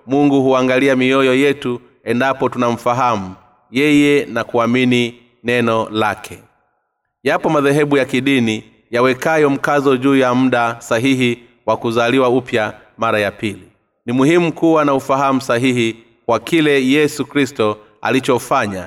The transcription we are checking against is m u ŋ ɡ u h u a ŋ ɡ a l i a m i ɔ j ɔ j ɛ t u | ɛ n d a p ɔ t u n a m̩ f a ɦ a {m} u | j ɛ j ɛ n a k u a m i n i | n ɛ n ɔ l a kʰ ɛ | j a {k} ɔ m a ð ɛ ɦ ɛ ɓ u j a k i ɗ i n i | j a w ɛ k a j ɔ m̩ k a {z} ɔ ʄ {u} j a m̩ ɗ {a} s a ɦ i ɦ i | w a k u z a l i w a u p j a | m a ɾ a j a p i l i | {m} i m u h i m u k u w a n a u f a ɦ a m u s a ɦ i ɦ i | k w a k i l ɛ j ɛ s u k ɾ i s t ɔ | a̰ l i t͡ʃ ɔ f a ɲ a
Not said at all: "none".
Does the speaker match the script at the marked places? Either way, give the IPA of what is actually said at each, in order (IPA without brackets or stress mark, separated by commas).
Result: m, p, z, uː, a, n